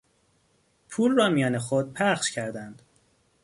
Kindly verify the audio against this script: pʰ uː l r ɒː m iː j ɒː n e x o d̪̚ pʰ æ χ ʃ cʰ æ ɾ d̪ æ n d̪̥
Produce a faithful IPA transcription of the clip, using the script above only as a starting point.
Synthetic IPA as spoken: pʰ uː l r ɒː m i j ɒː n e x o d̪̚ pʰ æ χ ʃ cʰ æ ɾ d̪ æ n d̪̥

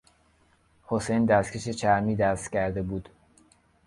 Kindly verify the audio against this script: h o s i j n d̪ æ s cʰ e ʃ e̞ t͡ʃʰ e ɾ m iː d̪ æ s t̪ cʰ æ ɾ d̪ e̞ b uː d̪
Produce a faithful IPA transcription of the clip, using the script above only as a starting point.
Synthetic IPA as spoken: h o s e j n d̪ æ s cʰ e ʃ e̞ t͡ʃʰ æ ɾ m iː d̪ æ s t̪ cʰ æ ɾ d̪ e̞ b uː d̪

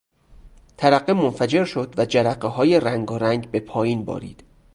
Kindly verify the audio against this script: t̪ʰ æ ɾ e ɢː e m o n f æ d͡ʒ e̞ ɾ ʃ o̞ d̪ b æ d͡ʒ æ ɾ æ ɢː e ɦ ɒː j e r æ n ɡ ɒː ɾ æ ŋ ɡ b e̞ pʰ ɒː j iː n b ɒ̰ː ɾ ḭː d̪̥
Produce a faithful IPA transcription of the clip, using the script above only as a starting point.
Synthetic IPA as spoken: t̪ʰ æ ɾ æ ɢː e m o n f æ d͡ʒ e̞ ɾ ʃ o̞ d̪ v æ d͡ʒ æ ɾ æ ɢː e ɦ ɒː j e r æ ŋ ɡ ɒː ɾ æ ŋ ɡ b e̞ pʰ ɒː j iː n b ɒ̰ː ɾ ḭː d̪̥

